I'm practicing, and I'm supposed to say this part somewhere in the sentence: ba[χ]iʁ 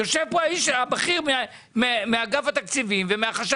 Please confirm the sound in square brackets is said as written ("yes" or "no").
yes